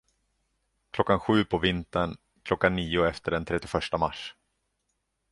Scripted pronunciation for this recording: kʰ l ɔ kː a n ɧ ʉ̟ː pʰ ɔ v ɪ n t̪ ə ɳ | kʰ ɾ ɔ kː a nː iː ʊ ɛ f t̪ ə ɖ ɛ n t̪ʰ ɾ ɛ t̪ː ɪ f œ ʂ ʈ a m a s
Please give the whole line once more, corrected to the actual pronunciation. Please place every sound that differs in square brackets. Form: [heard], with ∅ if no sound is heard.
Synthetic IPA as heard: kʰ l ɔ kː a n ɧ ʉ̟ː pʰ ɔ v ɪ n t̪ ə ɳ | kʰ [l] ɔ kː a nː iː ʊ ɛ f t̪ ə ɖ ɛ n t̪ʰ ɾ ɛ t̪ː ɪ f œ ʂ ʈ a m a [ʂ]